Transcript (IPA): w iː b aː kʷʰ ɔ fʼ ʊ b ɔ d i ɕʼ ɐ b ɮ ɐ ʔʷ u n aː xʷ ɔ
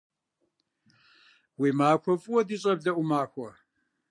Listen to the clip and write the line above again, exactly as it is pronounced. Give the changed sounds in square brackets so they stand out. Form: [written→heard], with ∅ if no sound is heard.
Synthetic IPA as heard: w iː [b→m] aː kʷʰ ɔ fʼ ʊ [b→w] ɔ d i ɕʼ ɐ b ɮ ɐ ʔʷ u [n→m] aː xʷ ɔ